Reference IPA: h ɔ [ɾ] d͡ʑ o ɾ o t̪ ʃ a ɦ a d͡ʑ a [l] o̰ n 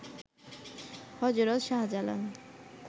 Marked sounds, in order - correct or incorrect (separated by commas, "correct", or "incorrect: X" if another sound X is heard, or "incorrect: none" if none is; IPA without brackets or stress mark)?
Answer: incorrect: none, correct